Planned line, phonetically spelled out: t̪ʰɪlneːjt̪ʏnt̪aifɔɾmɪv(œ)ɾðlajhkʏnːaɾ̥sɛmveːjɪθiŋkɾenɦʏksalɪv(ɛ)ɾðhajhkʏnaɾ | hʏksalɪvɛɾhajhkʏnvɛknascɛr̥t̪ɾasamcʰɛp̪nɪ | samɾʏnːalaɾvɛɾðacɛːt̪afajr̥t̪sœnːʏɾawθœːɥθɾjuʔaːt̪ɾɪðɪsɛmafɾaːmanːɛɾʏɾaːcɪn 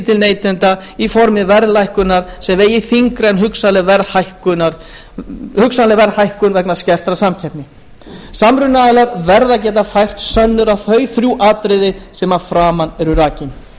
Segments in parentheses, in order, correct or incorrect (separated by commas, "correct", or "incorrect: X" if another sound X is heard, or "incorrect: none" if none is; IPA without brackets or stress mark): incorrect: ɛ, correct